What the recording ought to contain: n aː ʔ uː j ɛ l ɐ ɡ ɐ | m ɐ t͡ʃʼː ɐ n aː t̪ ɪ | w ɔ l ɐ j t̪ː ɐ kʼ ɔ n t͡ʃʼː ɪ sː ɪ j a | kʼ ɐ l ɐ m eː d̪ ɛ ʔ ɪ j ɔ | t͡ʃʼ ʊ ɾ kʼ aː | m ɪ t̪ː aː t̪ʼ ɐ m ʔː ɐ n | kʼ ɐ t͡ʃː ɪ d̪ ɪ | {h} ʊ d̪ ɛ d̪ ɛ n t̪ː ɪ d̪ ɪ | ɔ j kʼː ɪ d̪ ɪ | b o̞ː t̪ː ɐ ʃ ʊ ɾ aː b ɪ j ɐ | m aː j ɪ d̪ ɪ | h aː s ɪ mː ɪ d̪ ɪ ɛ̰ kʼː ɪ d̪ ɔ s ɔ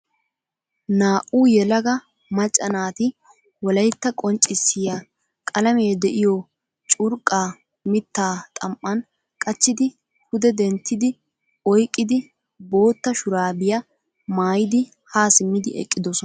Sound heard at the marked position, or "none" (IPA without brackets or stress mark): h